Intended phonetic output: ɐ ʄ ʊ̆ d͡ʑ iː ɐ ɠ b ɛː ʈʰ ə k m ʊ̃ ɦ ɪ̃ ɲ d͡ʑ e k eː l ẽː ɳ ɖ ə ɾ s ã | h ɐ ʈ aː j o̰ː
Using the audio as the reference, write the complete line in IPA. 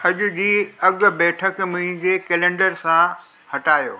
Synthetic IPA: ɐ ʄ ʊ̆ d͡ʑ iː ɐ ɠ b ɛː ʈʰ ə k m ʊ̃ ɦ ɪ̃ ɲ d͡ʑ e k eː l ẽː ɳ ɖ ə ɾ s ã | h ɐ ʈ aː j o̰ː